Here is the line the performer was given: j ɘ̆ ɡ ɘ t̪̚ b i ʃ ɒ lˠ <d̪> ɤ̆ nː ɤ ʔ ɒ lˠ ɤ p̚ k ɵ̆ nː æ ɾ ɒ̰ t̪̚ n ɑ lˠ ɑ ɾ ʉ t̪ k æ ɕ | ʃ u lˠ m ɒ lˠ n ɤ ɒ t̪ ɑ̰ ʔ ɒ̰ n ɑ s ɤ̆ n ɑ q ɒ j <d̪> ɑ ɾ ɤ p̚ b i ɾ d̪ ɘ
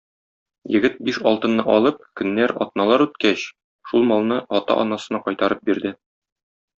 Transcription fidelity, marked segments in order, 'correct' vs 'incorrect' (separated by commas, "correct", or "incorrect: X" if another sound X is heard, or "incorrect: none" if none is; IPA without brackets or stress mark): incorrect: t̪, incorrect: t̪